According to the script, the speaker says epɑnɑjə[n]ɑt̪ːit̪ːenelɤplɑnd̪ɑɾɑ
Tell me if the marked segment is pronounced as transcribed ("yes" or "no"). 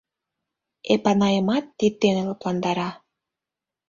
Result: no